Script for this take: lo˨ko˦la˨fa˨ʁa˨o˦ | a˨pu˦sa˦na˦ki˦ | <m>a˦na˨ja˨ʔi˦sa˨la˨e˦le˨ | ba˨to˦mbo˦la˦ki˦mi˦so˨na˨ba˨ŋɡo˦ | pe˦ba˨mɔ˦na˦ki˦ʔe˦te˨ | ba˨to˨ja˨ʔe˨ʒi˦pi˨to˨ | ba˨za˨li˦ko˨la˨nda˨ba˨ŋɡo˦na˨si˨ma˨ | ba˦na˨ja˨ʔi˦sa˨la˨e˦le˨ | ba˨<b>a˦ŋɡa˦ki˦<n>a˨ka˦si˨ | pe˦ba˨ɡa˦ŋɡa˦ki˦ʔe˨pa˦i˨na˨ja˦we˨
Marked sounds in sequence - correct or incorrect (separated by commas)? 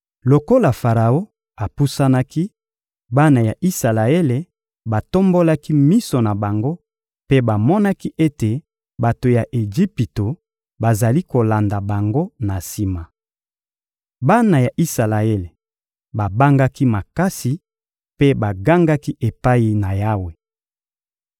incorrect, correct, incorrect